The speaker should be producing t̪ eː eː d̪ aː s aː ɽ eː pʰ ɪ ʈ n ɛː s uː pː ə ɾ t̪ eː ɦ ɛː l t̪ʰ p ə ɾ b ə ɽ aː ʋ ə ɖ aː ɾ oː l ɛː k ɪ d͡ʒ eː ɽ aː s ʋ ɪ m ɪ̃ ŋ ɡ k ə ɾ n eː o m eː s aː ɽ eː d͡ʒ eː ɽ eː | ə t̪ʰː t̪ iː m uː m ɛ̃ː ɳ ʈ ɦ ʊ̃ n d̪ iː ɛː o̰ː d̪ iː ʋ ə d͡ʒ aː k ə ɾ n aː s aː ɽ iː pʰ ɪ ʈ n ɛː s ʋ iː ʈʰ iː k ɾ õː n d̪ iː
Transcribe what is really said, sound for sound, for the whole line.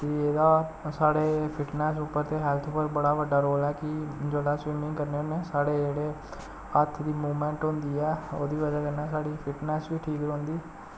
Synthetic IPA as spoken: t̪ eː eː d̪ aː s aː ɽ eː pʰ ɪ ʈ n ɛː s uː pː ə ɾ t̪ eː ɦ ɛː l t̪ʰ p ə ɾ b ə ɽ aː ʋ ə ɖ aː ɾ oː l ɛː k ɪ d͡ʒ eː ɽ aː s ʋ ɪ m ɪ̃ ŋ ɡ k ə ɾ n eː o n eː s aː ɽ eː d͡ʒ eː ɽ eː | ə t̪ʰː d̪ iː m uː m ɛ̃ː ɳ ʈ ɦ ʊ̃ n d̪ iː ɛː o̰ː d̪ iː ʋ ə d͡ʒ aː k ə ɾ n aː s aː ɽ iː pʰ ɪ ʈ n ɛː s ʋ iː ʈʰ iː k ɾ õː n d̪ iː